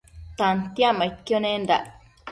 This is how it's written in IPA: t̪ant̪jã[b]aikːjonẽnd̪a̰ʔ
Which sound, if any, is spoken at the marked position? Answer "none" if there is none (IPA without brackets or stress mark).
m